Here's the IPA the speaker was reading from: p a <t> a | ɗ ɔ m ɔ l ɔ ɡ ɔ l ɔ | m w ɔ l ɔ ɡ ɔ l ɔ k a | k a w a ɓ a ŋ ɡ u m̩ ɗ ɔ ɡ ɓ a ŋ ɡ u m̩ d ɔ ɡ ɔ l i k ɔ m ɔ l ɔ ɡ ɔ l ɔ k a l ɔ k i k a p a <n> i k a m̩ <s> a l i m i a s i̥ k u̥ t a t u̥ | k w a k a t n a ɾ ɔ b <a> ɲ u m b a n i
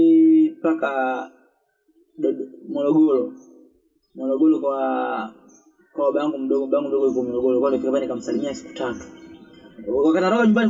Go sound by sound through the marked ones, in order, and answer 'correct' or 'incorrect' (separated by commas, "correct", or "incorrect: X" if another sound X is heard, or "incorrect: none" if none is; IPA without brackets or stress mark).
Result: incorrect: k, correct, correct, correct